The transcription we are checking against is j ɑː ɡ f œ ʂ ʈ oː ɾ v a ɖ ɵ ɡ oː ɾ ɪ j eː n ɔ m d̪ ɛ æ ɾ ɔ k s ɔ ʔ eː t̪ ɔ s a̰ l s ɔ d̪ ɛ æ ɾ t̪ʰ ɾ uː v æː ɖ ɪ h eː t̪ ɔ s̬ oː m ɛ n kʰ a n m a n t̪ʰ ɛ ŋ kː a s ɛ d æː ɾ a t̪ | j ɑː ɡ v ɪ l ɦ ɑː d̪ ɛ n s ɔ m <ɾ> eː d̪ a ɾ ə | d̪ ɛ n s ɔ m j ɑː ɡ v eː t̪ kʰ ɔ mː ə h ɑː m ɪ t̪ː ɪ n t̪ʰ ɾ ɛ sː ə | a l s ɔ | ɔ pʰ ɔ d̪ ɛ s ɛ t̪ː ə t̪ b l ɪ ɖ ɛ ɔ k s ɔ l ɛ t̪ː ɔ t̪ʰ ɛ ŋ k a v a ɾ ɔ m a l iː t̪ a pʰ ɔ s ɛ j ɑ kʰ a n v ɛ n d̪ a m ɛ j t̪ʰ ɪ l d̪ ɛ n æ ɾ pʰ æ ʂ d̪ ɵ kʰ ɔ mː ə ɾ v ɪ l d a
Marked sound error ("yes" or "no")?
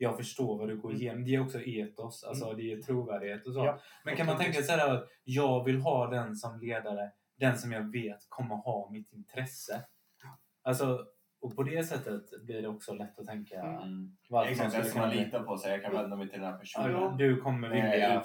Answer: yes